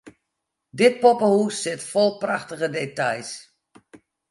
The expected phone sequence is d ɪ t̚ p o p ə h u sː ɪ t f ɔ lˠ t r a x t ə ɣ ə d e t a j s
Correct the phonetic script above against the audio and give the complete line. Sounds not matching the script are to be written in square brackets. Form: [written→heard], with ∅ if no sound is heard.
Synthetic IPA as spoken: d ɪ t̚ p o p ə h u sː ɪ t f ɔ lˠ [t→p] r a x t ə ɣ ə d e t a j s